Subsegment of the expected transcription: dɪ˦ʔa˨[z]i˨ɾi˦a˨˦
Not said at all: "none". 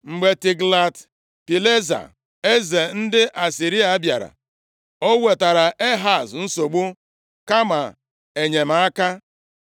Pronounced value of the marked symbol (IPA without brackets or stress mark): s